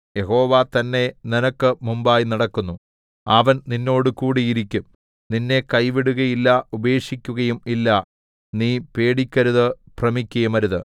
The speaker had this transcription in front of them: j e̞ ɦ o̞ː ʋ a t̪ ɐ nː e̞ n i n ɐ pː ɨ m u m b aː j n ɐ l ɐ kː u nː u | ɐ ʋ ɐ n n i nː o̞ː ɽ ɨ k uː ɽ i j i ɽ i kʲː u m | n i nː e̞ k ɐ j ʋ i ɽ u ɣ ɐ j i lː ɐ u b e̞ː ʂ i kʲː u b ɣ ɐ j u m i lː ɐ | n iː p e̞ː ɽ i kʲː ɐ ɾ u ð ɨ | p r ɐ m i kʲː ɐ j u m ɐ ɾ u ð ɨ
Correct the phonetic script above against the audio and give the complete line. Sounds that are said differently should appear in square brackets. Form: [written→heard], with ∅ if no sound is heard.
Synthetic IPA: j e̞ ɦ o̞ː ʋ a t̪ ɐ nː e̞ n i n ɐ [pː→kː] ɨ m u m b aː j n ɐ [l→ɽ] ɐ kː u nː u | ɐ ʋ ɐ n n i nː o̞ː ɽ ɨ k uː ɽ i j i [ɽ→ɾ] i kʲː u m | n i nː e̞ k ɐ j ʋ i ɽ u ɣ ɐ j i lː ɐ u b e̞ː ʂ i kʲː u [b→∅] ɣ ɐ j u m i lː ɐ | n iː p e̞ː ɽ i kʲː ɐ ɾ u ð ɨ | p r ɐ m i kʲː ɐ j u m ɐ ɾ u ð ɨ